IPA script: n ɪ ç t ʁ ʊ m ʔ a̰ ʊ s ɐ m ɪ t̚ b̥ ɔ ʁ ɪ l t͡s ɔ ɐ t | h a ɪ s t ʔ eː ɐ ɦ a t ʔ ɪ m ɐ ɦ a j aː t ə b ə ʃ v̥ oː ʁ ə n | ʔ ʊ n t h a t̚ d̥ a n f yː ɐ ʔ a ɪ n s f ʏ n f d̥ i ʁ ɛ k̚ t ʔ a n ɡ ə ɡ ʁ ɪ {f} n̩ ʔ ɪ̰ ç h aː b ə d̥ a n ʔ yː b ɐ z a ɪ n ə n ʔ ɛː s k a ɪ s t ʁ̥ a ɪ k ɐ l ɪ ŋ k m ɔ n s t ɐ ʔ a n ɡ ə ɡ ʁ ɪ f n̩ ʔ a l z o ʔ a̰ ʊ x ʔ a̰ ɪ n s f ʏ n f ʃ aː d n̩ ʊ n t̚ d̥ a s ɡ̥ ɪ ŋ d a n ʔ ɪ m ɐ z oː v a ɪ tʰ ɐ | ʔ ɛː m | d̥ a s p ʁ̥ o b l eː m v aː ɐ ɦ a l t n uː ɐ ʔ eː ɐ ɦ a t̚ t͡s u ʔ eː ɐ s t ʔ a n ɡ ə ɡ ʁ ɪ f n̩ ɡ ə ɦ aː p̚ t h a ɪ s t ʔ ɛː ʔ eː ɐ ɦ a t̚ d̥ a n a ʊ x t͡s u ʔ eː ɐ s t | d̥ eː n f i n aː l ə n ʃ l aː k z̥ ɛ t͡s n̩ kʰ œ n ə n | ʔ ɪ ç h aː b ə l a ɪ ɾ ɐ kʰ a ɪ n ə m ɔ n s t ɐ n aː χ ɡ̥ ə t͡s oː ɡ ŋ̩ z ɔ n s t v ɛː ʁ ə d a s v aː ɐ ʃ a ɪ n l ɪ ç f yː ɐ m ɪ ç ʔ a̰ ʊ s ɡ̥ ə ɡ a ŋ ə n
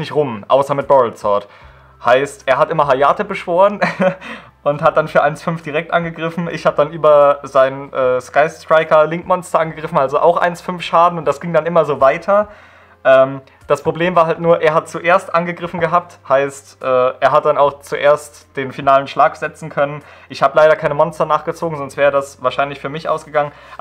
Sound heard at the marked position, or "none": f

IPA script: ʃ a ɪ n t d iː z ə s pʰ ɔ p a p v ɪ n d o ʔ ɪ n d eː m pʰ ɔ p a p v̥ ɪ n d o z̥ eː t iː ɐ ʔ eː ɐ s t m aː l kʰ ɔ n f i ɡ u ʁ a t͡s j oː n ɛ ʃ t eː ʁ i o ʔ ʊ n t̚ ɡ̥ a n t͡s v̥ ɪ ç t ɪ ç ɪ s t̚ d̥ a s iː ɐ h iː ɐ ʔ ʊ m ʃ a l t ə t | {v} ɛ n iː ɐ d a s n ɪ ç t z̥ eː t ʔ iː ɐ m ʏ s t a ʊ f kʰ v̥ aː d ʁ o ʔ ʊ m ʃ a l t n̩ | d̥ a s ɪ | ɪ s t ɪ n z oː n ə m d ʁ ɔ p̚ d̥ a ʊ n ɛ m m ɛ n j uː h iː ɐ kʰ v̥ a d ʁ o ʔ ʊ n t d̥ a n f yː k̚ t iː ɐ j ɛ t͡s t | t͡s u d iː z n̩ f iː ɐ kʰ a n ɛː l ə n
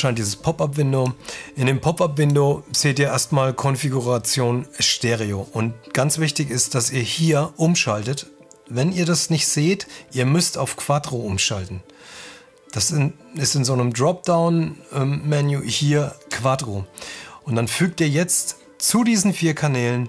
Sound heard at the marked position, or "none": v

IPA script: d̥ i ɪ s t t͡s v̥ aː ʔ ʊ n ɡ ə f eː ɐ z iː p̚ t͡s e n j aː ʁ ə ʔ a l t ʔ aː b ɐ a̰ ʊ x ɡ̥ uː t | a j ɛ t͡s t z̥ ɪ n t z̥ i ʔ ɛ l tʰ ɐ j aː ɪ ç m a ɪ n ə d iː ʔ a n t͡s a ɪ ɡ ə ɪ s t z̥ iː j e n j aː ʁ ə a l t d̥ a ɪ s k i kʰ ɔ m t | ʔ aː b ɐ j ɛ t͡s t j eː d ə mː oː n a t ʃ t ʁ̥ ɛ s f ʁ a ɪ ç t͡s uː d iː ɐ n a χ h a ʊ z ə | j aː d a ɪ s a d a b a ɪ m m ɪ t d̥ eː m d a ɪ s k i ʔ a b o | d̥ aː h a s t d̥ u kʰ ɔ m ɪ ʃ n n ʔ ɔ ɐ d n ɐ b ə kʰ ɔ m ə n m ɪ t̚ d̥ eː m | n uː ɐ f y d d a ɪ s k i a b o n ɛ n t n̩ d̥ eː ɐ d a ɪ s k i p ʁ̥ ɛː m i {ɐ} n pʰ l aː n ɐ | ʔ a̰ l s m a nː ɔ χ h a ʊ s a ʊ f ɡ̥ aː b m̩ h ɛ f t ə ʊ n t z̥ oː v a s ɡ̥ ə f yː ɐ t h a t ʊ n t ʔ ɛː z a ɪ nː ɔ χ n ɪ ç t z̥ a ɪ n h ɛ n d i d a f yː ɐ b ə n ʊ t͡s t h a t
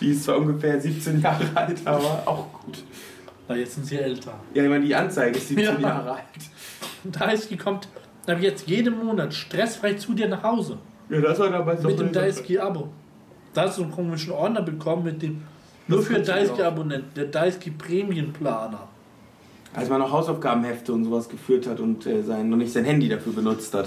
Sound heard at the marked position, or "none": ə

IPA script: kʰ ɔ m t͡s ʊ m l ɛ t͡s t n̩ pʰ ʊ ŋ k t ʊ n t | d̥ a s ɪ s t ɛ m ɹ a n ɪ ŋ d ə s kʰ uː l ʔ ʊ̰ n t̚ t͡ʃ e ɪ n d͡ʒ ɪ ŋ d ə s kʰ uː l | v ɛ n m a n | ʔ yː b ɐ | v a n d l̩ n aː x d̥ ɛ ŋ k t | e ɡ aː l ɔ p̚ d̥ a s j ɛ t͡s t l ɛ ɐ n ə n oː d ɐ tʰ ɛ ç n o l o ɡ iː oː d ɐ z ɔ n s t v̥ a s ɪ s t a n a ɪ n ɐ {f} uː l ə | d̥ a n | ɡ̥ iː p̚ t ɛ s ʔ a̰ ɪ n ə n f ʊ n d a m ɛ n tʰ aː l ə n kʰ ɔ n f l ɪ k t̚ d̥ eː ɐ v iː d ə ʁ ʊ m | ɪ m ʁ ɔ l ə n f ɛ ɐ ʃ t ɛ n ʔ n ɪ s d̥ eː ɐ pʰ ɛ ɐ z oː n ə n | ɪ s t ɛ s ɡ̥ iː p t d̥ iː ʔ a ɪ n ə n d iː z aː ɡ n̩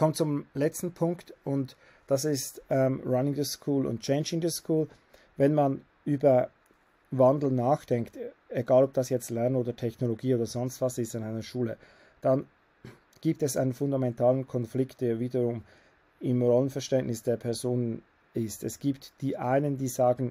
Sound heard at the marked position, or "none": ʃ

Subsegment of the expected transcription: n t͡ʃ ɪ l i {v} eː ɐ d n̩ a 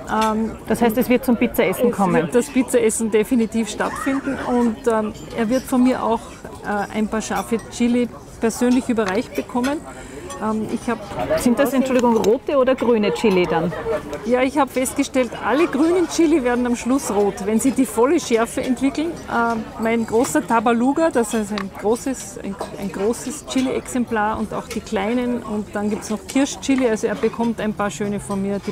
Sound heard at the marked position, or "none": v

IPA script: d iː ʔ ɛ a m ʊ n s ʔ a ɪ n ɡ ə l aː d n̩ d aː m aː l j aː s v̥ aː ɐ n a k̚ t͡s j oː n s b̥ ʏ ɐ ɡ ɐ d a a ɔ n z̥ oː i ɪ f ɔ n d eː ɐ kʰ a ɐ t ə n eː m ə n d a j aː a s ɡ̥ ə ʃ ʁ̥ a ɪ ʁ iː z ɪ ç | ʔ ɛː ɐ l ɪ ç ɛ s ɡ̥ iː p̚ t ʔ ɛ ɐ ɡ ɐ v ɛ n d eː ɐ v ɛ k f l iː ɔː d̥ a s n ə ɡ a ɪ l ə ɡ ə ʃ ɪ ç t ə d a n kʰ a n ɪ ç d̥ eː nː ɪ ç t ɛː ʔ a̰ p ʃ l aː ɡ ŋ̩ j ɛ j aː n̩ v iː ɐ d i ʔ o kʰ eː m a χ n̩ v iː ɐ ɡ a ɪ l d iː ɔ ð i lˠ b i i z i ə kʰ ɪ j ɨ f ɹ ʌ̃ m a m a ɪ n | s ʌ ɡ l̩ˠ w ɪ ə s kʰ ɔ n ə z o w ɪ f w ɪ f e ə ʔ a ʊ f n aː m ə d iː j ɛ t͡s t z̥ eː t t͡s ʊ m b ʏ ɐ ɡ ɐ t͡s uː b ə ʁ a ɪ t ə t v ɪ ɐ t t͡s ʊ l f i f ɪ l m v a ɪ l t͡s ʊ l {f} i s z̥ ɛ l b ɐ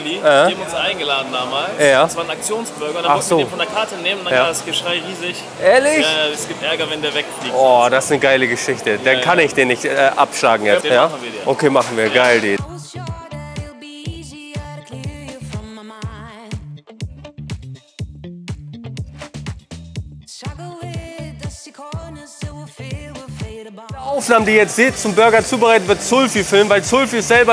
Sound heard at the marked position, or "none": f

